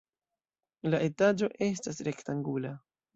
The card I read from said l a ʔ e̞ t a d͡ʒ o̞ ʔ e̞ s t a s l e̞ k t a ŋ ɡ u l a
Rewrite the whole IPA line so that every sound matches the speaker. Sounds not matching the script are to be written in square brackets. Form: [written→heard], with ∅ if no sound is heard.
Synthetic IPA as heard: l a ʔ e̞ t a d͡ʒ o̞ ʔ e̞ s t a s [l→ɾ] e̞ k t a ŋ ɡ u l a